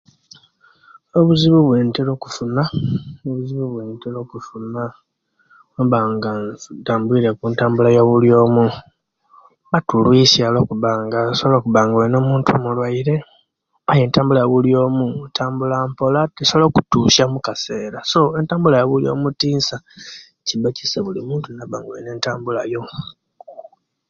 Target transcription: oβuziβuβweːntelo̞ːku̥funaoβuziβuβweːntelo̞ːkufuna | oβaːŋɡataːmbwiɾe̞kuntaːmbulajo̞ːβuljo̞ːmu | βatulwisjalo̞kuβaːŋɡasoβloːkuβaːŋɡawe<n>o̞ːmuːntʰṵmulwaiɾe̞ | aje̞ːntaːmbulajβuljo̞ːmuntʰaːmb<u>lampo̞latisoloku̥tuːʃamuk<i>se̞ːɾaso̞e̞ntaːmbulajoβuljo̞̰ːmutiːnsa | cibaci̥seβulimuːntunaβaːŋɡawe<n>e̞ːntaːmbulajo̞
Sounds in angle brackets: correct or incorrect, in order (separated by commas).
correct, correct, incorrect, correct